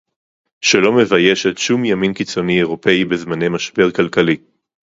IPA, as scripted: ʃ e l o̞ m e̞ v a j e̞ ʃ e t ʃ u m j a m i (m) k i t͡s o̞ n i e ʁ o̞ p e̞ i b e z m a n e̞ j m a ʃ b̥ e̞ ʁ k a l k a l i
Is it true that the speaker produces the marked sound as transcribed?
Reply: no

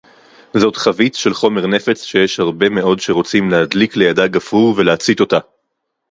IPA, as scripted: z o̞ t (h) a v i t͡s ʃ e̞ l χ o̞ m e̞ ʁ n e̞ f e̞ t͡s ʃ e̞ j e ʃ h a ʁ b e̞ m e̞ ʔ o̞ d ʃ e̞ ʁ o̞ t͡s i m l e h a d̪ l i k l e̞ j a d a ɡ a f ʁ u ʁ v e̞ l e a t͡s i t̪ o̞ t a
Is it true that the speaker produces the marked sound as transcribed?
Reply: no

